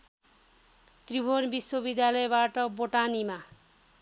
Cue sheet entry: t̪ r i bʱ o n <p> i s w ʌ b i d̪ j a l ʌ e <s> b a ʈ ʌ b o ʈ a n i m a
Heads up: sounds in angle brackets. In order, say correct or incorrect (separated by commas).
incorrect, incorrect